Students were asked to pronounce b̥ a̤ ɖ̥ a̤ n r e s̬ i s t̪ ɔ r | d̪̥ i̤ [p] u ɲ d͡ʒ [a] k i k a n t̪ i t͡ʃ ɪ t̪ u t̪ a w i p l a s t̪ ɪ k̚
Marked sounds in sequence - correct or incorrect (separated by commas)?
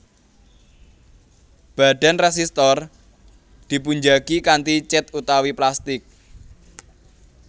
correct, correct